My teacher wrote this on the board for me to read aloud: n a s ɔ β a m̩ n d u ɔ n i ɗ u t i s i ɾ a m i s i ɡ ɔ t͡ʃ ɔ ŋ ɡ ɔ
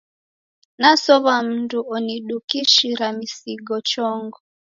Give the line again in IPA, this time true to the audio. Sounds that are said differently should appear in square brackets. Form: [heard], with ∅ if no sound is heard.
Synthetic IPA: n a s ɔ β a m̩ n d u ɔ n i ɗ u [k] i [ʃ] i ɾ a m i s i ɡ ɔ t͡ʃ ɔ ŋ ɡ ɔ